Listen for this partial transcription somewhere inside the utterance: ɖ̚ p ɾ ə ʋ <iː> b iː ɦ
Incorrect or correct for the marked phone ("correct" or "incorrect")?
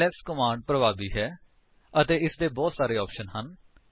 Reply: incorrect